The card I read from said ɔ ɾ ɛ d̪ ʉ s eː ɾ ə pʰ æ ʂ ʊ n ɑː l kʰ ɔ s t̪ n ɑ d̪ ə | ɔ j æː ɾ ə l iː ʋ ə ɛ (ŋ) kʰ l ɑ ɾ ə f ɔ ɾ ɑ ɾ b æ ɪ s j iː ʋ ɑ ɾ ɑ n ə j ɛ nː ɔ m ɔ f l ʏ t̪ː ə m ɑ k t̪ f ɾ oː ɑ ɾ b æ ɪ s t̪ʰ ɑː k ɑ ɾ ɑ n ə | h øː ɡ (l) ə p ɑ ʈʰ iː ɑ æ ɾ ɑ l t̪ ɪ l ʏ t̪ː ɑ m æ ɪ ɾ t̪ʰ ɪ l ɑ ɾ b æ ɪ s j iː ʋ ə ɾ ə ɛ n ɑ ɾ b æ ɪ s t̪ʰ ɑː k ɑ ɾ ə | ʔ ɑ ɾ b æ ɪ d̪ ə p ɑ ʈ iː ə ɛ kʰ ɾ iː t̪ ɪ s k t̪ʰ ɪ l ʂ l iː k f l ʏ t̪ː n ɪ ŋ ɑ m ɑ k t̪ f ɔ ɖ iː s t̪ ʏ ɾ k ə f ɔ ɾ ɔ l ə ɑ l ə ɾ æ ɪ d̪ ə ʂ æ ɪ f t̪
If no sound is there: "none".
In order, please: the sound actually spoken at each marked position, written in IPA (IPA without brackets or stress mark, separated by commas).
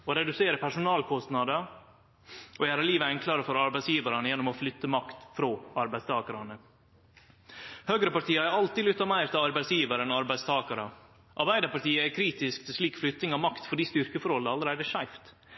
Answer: ŋ, ɾ